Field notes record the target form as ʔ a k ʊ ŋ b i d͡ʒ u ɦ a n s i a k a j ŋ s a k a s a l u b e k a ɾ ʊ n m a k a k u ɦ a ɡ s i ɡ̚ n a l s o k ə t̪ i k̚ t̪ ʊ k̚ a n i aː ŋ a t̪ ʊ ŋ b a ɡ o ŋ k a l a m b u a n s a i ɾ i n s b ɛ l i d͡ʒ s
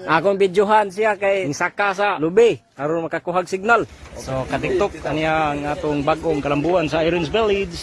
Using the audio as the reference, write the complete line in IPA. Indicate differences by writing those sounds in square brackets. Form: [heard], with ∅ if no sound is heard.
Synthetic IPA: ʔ a k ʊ ŋ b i d͡ʒ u ɦ a n s i a k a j ŋ s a k a s a l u b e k a ɾ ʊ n m a k a k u ɦ a ɡ s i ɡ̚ n a l s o k [a] t̪ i k̚ t̪ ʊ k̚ a n i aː ŋ a t̪ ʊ ŋ b a ɡ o ŋ k a l a m b u a n s a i ɾ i n s b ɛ l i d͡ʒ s